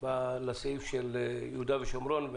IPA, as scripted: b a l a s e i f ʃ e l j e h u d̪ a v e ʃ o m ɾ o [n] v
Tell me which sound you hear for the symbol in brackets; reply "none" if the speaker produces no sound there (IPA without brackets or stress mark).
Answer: n